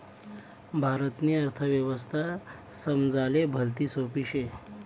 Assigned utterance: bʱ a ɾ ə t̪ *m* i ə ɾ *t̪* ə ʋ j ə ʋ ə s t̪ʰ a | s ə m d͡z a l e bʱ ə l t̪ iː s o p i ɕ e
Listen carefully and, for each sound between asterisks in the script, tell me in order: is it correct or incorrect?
incorrect, incorrect

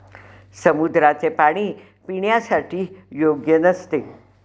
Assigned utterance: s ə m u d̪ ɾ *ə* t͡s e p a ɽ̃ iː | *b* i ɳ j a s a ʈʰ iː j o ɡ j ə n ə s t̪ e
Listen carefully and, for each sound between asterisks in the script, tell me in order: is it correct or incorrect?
incorrect, incorrect

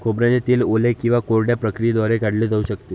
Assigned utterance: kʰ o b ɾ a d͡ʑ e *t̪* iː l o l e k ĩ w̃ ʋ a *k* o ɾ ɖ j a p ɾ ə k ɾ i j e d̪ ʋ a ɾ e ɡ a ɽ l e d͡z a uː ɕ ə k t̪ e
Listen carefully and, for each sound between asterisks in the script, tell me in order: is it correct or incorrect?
correct, correct

